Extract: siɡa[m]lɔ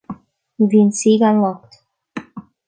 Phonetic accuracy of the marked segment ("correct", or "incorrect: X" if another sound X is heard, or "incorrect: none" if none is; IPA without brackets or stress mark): incorrect: n